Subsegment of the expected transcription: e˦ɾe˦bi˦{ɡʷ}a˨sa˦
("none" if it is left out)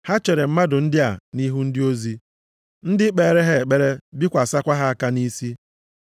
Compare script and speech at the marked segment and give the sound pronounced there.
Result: kʷ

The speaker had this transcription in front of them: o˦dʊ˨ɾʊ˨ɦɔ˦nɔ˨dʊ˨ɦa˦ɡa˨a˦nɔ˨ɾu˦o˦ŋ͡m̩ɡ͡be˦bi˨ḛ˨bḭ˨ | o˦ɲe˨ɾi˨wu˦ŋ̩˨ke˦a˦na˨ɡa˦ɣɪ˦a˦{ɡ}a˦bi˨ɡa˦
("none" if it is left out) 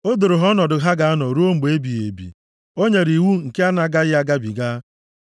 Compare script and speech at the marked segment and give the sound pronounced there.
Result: ɡ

